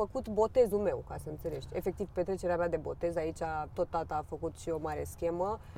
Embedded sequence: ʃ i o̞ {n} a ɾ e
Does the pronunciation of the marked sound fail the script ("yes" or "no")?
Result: yes